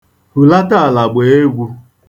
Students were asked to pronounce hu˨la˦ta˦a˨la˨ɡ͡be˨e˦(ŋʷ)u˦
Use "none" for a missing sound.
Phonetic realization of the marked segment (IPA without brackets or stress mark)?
ɡʷ